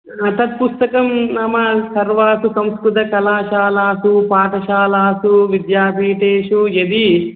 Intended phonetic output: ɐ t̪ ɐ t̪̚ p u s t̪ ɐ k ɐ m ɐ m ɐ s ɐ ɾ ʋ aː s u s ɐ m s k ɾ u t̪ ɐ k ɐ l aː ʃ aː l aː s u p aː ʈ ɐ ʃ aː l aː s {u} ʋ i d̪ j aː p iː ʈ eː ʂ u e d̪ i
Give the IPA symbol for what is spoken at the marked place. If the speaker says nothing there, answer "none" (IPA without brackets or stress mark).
u